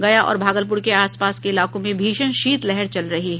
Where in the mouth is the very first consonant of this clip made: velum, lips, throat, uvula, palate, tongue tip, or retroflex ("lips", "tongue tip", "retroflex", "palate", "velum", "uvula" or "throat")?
velum